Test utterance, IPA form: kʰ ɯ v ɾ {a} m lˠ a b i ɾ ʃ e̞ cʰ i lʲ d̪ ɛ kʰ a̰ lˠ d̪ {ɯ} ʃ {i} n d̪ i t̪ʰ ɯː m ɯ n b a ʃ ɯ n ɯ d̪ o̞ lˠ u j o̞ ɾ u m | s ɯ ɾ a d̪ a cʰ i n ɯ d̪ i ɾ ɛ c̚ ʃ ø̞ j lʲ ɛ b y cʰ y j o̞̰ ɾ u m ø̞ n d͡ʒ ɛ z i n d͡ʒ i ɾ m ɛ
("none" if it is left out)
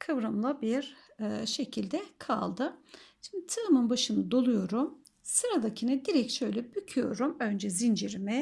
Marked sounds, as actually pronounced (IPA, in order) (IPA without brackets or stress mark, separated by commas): a, ɯ, i